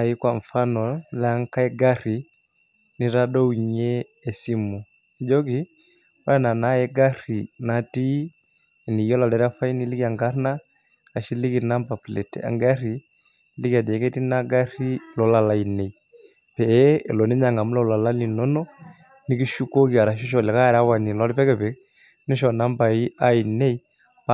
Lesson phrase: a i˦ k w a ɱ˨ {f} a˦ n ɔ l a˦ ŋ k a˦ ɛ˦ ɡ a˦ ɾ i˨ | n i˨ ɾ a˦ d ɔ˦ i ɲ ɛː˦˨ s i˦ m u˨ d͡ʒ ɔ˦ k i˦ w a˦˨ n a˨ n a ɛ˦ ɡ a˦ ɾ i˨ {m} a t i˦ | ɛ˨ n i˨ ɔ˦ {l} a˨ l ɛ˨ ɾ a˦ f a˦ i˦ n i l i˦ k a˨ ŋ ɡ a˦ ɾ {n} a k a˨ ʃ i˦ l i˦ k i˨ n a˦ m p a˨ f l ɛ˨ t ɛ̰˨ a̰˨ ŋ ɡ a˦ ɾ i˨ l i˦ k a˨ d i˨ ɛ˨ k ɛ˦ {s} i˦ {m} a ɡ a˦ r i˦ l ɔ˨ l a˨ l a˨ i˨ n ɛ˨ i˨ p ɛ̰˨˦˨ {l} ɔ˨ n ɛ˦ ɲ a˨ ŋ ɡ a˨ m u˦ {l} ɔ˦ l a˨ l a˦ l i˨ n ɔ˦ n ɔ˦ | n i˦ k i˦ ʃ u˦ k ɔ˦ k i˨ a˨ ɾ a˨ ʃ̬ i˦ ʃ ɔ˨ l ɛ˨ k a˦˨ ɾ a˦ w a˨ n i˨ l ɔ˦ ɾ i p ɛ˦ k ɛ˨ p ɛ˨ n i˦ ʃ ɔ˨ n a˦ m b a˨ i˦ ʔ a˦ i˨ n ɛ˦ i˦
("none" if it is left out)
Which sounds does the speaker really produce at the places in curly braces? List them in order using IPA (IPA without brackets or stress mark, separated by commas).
f, n, l, n, t, n, l, l